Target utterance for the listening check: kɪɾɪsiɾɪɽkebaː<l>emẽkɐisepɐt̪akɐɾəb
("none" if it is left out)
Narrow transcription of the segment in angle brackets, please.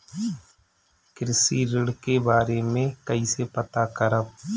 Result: ɾ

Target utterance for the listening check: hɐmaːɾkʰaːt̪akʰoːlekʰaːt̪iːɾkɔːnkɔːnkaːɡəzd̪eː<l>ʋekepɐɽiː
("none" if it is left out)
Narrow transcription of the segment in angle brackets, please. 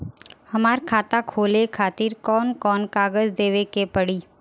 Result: none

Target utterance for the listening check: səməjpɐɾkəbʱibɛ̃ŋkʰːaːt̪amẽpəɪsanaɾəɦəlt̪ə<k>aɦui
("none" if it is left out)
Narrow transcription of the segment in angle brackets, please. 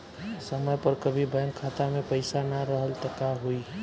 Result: k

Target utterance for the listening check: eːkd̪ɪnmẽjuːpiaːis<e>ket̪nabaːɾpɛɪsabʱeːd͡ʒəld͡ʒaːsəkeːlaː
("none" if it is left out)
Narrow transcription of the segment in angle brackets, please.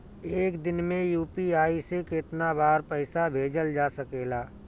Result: e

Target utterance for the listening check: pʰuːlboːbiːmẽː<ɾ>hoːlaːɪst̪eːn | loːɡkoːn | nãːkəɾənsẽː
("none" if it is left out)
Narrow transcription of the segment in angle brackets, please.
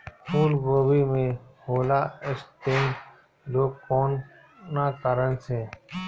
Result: none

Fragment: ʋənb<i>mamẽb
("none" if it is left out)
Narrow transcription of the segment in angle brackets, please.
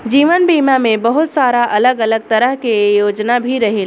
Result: iː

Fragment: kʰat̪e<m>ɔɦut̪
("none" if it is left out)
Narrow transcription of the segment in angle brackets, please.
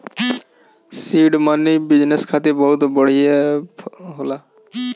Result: b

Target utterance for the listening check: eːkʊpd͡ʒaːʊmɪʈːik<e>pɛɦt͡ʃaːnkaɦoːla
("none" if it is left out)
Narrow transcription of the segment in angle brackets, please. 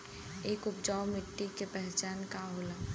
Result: e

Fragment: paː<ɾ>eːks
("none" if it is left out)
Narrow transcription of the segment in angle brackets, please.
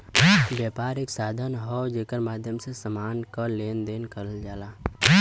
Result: ɾ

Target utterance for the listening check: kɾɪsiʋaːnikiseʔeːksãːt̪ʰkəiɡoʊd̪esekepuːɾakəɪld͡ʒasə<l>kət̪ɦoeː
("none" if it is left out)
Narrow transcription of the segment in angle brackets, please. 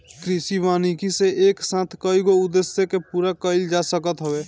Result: none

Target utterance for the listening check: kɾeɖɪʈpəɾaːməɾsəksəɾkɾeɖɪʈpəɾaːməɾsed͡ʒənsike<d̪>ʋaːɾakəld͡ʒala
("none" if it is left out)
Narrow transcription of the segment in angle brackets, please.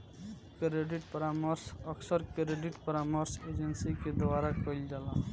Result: d̪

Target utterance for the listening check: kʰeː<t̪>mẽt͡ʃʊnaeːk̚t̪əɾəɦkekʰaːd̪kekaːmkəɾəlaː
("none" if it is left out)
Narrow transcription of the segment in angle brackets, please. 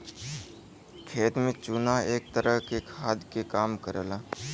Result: t̪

